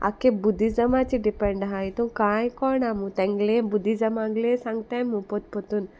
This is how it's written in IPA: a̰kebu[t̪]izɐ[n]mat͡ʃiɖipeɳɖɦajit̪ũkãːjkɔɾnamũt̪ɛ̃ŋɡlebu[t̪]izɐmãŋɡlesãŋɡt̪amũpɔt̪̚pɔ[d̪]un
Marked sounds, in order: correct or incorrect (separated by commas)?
incorrect, incorrect, incorrect, incorrect